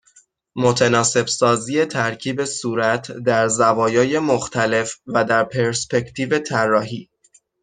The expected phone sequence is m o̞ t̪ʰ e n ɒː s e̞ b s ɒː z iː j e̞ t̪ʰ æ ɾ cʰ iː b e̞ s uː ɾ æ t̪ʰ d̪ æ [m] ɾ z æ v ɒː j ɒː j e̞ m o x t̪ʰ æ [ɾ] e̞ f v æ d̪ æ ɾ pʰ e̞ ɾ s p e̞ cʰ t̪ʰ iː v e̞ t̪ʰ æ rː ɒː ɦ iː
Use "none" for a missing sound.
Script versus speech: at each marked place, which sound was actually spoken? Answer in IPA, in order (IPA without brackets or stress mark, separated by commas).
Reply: none, l